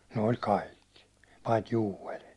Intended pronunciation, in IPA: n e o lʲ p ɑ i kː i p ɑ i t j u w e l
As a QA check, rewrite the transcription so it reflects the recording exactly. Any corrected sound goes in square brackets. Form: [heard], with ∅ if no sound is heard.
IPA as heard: n e o lʲ [k] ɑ i kː i p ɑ i t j [uː] w e l